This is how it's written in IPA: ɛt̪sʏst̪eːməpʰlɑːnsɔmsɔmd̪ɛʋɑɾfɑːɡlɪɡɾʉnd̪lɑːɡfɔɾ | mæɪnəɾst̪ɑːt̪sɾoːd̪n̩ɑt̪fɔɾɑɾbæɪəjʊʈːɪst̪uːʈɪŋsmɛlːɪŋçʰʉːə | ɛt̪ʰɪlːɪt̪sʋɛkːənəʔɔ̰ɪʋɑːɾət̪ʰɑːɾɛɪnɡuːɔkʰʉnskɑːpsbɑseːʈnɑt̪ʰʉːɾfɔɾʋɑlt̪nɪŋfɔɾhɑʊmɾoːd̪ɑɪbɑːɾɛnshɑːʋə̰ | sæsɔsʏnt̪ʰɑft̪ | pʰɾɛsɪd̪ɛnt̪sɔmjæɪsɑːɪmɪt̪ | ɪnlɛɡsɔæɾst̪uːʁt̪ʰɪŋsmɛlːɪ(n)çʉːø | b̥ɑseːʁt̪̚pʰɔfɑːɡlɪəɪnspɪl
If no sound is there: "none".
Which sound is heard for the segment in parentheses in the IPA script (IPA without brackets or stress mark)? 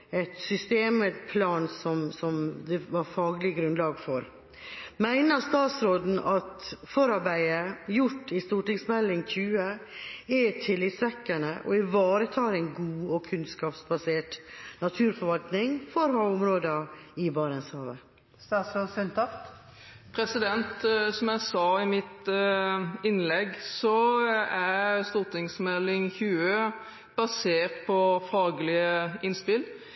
ŋ